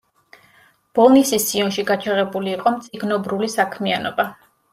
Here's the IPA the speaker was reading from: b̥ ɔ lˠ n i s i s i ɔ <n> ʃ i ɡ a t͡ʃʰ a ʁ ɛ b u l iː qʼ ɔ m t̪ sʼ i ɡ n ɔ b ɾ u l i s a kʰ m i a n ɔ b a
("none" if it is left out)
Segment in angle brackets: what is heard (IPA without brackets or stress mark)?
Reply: n